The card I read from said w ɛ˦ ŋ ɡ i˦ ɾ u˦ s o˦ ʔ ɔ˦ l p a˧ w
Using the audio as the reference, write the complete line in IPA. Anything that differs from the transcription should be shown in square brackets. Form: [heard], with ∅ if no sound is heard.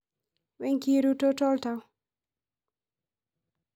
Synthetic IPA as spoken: w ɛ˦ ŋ [k] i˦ ɾ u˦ [t] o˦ [t] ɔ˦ l [t] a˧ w